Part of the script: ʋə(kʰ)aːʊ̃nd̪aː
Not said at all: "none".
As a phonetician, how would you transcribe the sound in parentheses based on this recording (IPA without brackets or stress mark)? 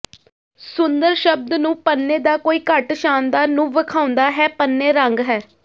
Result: kʰ